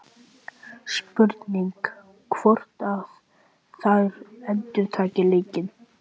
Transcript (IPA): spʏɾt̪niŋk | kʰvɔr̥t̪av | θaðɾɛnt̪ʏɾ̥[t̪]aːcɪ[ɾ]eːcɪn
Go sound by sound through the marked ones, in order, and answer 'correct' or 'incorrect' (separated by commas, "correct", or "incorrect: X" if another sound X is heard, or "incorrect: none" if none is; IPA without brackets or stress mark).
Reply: incorrect: t̪ʰ, incorrect: l